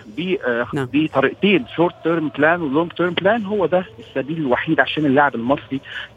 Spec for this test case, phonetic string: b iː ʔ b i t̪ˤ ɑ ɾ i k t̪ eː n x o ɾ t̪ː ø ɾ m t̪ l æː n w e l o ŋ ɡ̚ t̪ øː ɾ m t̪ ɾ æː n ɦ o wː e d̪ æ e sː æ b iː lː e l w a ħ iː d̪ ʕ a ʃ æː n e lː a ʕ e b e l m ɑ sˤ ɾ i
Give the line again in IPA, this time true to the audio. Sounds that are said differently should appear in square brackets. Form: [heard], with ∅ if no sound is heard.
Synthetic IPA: b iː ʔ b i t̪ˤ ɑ ɾ i [ʔ] t̪ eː n [ʃ] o ɾ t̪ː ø ɾ m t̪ l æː n w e l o ŋ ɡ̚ t̪ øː ɾ m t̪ [l] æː n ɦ o wː [æ] d̪ æ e sː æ b iː [l] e l w a ħ iː d̪ ʕ a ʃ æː n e lː a ʕ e b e l m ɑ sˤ ɾ i